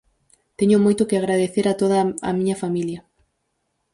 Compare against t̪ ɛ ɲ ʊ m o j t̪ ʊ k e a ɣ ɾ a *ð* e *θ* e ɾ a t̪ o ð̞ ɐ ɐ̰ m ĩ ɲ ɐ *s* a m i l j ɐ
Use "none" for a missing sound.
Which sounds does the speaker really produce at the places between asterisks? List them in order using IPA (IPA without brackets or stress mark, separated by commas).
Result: ð, θ, f